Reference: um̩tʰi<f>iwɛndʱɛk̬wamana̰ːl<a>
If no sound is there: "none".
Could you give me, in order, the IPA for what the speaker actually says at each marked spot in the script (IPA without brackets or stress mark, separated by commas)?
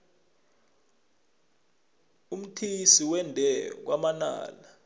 s, a